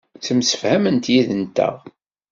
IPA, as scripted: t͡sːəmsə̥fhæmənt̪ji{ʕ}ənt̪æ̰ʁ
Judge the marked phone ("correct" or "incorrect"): incorrect